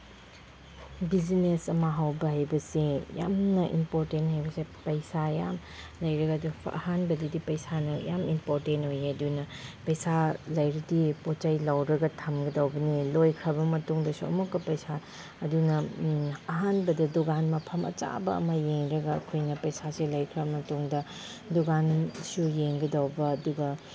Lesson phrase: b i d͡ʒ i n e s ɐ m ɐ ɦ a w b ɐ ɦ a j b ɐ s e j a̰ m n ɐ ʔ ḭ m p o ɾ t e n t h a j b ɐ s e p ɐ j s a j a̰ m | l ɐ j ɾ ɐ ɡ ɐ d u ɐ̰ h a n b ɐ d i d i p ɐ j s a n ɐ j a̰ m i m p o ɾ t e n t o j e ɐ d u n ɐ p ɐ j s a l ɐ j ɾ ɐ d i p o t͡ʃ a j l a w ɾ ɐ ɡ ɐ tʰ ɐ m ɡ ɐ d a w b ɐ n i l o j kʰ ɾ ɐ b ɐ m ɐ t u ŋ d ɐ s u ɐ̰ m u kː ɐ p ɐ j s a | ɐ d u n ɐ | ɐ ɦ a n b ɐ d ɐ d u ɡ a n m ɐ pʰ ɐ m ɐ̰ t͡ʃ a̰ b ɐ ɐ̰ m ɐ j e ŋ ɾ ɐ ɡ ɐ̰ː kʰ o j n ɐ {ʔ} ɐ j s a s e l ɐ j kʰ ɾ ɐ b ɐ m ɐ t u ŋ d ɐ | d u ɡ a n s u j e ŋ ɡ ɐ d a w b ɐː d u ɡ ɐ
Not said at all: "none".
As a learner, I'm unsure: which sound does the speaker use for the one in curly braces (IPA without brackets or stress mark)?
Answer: p